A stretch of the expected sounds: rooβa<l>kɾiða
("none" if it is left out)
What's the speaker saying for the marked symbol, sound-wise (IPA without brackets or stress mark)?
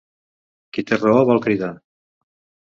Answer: l